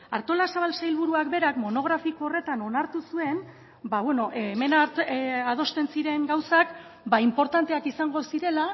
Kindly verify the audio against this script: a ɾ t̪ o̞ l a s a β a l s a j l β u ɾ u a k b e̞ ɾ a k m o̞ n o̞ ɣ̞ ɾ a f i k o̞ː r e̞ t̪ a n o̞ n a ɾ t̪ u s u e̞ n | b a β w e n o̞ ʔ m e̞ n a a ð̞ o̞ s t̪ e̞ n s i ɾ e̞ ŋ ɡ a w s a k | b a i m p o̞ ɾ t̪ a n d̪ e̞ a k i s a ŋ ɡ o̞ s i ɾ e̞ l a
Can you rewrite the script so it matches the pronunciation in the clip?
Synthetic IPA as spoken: a ɾ t̪ o̞ l a s a β a l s a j l β u ɾ u a k b e̞ ɾ a k m o̞ n o̞ ɣ̞ ɾ a f i k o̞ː r e̞ t̪ a n o̞ n a ɾ t̪ u s u e̞ n | b a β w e n o̞ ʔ m e̞ n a a ð̞ o̞ s t̪ e̞ n s i ɾ e̞ ŋ ɡ a w s a k | b a i m p o̞ ɾ t̪ a n t̪ e̞ a k i s a ŋ ɡ o̞ s i ɾ e̞ l a